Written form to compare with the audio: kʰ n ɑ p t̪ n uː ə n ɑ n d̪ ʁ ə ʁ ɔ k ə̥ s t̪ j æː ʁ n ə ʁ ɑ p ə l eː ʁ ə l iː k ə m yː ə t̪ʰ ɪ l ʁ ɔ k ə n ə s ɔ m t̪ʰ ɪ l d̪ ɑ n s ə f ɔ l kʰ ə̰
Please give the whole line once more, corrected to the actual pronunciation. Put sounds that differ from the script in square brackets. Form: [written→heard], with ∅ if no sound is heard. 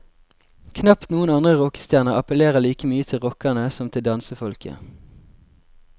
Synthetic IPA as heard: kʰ n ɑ p t̪ n uː ə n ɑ n d̪ ʁ ə ʁ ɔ k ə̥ s t̪ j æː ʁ n ə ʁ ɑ p ə l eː ʁ ə l iː k ə m yː ə t̪ʰ ɪ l ʁ ɔ k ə n ə s ɔ m t̪ʰ ɪ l d̪ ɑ n s ə f ɔ l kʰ ə̰

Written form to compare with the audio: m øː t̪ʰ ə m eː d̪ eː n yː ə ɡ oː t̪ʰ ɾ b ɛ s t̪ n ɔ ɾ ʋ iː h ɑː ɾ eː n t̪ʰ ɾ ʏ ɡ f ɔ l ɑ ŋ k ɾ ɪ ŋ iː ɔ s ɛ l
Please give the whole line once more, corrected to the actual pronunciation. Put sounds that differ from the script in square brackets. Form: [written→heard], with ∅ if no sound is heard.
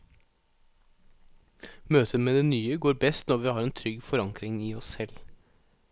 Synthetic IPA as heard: m øː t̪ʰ ə m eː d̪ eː n yː ə ɡ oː [t̪ʰ→∅] ɾ b ɛ s t̪ n ɔ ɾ ʋ iː h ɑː ɾ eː n t̪ʰ ɾ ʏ ɡ f ɔ [l→ɾ] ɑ ŋ k ɾ ɪ ŋ iː ɔ s ɛ l

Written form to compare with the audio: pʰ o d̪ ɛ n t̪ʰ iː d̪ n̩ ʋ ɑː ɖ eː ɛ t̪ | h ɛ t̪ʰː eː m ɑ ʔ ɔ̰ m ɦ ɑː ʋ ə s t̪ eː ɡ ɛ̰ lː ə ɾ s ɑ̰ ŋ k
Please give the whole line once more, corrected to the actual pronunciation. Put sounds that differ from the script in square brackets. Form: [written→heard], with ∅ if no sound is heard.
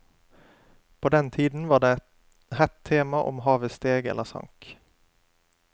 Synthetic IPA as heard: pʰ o d̪ ɛ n t̪ʰ iː d̪ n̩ ʋ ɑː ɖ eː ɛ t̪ | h ɛ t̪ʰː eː m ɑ ʔ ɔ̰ m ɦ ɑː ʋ ə s t̪ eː ɡ ɛ̰ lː ə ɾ s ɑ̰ ŋ k

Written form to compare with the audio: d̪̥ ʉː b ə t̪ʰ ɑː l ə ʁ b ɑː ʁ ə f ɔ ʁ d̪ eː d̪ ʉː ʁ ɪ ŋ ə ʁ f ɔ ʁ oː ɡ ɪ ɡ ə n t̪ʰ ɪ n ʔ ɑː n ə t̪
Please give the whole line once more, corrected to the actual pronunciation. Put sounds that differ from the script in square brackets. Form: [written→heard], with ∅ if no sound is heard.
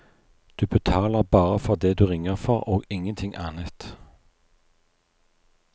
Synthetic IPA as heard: d̪̥ ʉː b ə t̪ʰ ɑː l ə ʁ b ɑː ʁ ə f ɔ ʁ d̪ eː d̪ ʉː ʁ ɪ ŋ ə ʁ f ɔ ʁ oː ɡ ɪ [ɡ→ŋ] ə n t̪ʰ ɪ [n→ŋ] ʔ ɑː n ə t̪

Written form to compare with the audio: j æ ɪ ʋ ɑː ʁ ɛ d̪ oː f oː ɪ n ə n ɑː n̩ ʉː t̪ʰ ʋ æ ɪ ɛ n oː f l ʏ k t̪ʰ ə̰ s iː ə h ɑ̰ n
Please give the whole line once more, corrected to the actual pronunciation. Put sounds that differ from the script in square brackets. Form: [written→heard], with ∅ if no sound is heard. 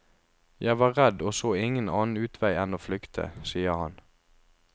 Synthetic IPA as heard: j æ ɪ ʋ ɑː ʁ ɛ d̪ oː [f→s] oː ɪ [n→ŋ] ə n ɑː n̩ ʉː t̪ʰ ʋ æ ɪ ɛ n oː f l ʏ k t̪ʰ ə̰ s iː ə h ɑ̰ n

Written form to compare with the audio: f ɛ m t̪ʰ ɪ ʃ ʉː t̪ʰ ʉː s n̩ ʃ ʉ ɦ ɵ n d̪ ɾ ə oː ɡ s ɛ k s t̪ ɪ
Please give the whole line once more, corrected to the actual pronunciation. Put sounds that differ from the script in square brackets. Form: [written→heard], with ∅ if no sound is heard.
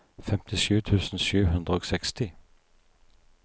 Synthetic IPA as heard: f ɛ m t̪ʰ ɪ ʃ ʉː t̪ʰ ʉː s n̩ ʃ [ʉ→ʉː] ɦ ɵ n d̪ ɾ ə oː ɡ s ɛ k s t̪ ɪ

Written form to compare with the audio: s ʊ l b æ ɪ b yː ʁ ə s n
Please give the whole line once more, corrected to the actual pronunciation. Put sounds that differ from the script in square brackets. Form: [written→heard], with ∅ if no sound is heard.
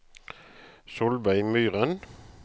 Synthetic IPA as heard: s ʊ l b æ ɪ [b→m] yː ʁ ə [s→∅] n

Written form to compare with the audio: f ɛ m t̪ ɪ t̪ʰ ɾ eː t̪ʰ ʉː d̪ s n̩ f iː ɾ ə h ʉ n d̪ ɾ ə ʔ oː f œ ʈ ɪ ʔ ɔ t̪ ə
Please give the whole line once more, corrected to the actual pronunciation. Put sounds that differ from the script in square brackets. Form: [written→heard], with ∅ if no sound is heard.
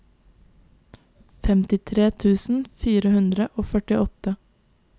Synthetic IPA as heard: f ɛ m t̪ ɪ t̪ʰ ɾ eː t̪ʰ ʉː [d̪→∅] s n̩ f iː ɾ ə h ʉ n d̪ ɾ ə ʔ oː f œ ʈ ɪ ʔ ɔ t̪ ə

